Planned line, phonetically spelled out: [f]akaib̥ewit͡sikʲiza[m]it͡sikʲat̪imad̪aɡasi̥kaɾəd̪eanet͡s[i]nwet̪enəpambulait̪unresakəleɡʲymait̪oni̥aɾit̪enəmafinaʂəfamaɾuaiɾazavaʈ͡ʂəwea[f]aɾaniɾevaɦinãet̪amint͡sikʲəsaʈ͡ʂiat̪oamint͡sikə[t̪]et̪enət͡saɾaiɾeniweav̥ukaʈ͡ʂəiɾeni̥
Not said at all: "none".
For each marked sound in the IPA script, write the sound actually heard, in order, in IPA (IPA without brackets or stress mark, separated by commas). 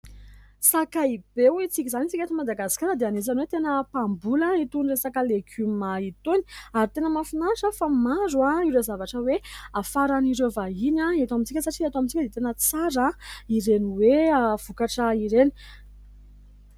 s, n, a, f, d̪